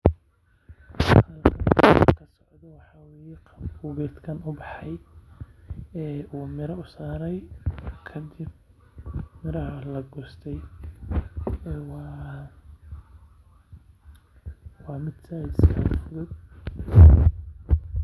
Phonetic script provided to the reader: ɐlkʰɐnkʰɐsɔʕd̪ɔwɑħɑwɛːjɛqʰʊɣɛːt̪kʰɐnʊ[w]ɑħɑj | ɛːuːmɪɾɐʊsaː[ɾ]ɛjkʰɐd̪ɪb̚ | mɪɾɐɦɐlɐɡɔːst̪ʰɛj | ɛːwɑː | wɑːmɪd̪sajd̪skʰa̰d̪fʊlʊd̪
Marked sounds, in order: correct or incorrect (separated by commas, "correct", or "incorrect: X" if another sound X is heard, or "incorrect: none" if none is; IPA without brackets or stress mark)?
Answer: incorrect: b, correct